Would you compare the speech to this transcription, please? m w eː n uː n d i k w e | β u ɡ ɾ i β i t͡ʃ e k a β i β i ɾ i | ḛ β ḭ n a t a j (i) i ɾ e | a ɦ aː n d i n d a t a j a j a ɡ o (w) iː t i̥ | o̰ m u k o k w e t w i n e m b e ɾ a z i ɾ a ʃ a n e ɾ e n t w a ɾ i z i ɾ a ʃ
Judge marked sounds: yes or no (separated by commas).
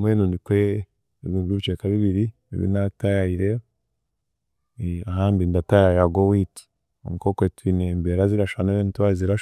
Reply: no, yes